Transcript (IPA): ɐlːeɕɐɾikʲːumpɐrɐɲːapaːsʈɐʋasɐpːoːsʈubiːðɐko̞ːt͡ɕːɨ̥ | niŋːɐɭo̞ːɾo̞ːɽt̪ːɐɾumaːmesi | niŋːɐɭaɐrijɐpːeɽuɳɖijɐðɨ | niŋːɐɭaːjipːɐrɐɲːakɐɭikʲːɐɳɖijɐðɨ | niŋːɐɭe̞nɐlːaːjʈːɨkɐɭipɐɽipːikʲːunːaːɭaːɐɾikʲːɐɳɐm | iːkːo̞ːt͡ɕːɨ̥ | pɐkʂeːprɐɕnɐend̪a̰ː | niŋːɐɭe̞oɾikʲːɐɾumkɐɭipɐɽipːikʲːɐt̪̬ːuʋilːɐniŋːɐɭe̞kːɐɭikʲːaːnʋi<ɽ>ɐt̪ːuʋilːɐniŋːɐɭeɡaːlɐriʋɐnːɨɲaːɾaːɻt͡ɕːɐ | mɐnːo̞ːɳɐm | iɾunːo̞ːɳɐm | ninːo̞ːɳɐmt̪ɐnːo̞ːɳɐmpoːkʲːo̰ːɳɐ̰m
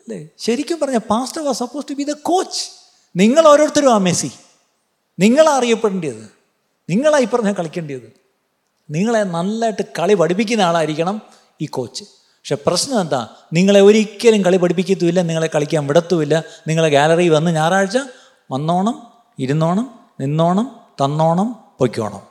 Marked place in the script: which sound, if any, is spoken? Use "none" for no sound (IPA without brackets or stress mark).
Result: ɽ